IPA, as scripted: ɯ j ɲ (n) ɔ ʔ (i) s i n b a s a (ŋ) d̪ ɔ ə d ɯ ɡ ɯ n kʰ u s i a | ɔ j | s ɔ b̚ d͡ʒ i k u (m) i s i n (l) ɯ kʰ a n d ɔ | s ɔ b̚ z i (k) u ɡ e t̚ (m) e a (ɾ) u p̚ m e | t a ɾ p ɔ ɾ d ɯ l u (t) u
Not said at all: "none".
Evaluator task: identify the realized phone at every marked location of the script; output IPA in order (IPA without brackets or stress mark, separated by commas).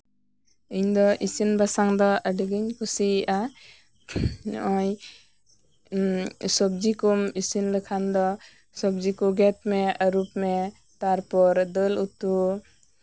d, i, ŋ, m, l, k, m, ɾ, t